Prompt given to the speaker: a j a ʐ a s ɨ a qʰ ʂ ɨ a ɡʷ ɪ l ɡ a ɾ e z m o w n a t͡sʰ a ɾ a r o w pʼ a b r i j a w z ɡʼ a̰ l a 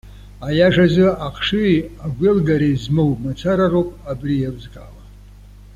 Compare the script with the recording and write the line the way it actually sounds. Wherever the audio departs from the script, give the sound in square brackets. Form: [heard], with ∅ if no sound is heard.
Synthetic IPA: a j a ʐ a [z] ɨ a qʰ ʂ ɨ a ɡʷ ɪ l ɡ a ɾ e z m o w [m] a t͡sʰ a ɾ a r o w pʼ a b r i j a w z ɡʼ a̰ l a